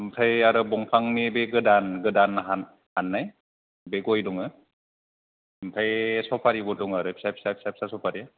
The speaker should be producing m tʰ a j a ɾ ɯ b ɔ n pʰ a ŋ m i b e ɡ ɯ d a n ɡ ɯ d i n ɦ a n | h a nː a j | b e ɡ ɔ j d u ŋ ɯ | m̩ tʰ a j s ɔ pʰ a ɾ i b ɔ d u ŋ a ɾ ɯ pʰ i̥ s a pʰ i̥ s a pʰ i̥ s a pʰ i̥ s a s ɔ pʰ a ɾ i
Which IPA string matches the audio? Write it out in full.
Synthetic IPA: m tʰ a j a ɾ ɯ b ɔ ŋ pʰ a ŋ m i b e ɡ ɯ d a n ɡ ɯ d a n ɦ a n | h a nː a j | b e ɡ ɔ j d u ŋ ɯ | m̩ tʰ a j s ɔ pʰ a ɾ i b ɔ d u ŋ a ɾ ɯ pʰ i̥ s a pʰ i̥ s a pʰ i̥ s a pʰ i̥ s a s ɔ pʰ a ɾ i